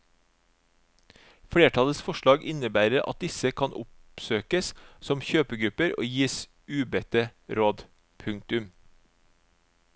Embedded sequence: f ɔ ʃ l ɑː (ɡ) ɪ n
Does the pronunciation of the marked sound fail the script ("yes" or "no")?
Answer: no